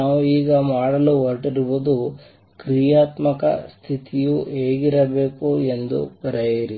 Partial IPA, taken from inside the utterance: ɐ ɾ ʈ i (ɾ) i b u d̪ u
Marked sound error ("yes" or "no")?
no